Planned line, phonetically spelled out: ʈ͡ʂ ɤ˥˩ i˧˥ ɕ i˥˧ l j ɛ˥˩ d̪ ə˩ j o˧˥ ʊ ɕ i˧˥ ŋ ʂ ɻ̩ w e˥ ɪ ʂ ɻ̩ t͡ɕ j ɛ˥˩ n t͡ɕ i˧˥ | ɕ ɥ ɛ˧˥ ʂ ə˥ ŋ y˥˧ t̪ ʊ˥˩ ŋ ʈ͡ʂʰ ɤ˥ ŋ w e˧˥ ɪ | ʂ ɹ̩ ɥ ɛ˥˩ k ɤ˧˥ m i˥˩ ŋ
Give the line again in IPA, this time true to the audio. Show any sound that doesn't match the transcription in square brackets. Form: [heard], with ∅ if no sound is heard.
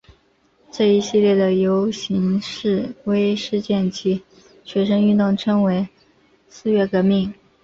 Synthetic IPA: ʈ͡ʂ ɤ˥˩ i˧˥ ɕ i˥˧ l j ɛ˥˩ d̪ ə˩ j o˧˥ ʊ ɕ i˧˥ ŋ ʂ ɻ̩ w e˥ ɪ ʂ ɻ̩ t͡ɕ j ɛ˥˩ n t͡ɕ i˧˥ | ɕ ɥ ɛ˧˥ ʂ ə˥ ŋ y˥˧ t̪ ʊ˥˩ ŋ ʈ͡ʂʰ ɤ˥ ŋ w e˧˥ ɪ | [s] ɹ̩ ɥ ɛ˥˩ k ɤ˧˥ m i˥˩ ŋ